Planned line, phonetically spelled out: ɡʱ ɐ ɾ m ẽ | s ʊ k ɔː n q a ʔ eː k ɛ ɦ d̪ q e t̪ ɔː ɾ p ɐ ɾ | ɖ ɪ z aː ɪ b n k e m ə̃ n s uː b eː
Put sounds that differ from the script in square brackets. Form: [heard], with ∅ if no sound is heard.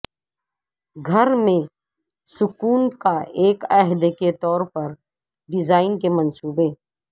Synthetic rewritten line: ɡʱ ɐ ɾ m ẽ | s ʊ k [uː] n [k] a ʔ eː k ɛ ɦ d̪ [k] e t̪ ɔː ɾ p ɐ ɾ | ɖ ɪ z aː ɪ [∅] n k e m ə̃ n s uː b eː